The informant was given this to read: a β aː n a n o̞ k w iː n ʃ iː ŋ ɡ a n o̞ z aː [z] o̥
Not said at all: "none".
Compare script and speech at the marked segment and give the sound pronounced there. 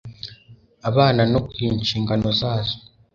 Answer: z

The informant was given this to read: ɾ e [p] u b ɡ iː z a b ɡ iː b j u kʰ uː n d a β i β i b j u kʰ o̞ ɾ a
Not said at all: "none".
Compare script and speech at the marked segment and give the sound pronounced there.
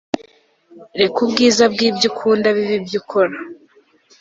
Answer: k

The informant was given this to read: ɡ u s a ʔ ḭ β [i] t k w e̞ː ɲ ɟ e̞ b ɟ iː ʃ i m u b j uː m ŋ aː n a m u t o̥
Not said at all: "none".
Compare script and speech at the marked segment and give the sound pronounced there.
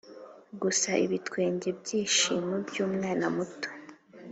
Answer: i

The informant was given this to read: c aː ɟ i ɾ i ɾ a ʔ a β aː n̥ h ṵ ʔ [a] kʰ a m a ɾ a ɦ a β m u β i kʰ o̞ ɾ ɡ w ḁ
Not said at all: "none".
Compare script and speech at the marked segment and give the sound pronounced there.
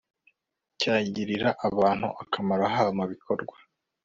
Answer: a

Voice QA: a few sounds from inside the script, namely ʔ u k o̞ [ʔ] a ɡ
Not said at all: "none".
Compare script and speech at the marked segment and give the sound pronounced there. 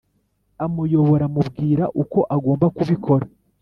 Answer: ʔ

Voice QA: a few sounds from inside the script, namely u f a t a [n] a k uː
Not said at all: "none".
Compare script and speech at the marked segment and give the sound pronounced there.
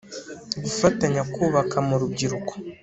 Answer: ɲ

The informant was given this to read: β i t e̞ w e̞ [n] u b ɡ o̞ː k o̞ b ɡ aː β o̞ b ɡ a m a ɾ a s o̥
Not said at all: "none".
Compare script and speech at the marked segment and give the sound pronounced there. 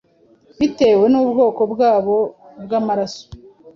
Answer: n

